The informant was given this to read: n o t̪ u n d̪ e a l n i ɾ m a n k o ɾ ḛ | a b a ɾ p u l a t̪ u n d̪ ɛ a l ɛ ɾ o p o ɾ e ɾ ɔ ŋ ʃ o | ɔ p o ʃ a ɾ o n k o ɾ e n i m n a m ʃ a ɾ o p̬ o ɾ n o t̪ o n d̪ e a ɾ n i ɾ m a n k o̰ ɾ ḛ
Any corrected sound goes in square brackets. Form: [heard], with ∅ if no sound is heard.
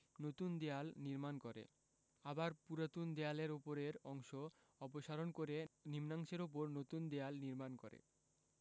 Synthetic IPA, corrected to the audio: n o t̪ u n d̪ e a l n i ɾ m a n k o ɾ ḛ | a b a ɾ p u [ɾ] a t̪ u n d̪ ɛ a l [e] ɾ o p o ɾ e ɾ ɔ ŋ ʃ o | ɔ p o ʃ a ɾ o n k o ɾ e n i m n a [ŋ] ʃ [e] ɾ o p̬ o ɾ n o t̪ [u] n d̪ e a [l] n i ɾ m a n k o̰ ɾ ḛ